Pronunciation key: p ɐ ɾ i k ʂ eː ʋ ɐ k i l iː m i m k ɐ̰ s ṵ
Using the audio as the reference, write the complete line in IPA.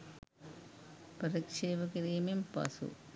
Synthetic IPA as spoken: p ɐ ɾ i k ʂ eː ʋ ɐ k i ɾ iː m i m p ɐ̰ s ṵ